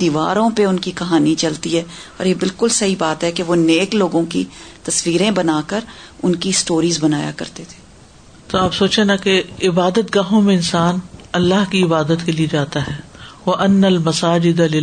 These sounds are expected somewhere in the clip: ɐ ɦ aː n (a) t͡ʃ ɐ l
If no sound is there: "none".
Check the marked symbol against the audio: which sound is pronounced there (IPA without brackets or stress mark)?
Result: i